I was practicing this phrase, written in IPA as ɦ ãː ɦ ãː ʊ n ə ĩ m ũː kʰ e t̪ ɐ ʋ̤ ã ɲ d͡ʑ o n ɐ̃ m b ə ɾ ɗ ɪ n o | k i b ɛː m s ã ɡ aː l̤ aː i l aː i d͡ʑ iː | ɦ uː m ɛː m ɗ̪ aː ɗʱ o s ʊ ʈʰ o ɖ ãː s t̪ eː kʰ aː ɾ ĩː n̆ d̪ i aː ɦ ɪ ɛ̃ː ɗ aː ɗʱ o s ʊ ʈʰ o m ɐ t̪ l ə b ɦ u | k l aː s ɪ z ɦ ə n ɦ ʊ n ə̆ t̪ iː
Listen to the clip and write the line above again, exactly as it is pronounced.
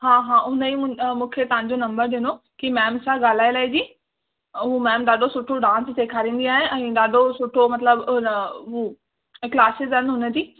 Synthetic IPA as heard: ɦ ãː ɦ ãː ʊ n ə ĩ m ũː kʰ e t̪ ɐ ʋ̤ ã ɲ d͡ʑ o n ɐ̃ m b ə ɾ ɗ ɪ n o | k i m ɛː m s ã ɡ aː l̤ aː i l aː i d͡ʑ iː | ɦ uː m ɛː m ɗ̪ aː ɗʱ o s ʊ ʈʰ o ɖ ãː s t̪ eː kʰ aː ɾ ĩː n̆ d̪ i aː ɦ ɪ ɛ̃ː ɗ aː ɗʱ o s ʊ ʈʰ o m ɐ t̪ l ə b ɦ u | k l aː s ɪ z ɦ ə n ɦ ʊ n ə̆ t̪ iː